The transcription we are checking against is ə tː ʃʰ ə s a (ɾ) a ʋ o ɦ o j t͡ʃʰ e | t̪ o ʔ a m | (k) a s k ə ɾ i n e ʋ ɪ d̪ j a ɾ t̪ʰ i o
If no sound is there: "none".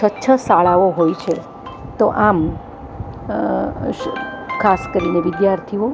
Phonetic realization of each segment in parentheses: ɭ, kʰ

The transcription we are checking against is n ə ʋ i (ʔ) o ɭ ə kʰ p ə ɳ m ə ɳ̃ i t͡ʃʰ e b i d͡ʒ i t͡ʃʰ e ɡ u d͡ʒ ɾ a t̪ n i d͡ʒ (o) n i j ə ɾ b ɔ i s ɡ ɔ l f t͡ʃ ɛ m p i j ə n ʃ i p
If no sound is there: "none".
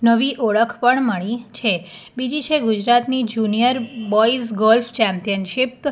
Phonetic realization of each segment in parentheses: ʔ, u

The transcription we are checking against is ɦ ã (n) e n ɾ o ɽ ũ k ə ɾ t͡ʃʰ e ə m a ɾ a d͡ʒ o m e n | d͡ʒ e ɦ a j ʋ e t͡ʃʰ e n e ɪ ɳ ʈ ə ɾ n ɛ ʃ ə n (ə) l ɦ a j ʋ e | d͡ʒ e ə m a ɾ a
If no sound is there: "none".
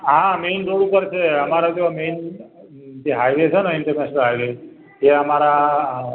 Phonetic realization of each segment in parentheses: m, ə

